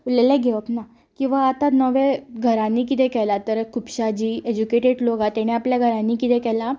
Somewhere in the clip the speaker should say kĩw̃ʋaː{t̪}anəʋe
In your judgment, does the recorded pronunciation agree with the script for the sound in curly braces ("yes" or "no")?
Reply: yes